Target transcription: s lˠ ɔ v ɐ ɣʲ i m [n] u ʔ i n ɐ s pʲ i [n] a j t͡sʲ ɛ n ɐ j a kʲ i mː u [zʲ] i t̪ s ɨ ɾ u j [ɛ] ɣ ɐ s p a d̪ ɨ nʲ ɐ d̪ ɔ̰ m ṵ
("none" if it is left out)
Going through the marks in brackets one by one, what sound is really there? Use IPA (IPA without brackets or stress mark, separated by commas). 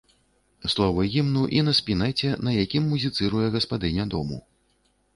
n, n, zʲ, ɛ